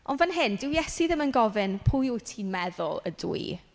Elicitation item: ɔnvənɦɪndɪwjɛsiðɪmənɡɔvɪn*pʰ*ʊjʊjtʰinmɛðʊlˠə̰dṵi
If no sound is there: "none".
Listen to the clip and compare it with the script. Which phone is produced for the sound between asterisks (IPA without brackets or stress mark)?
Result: pʰ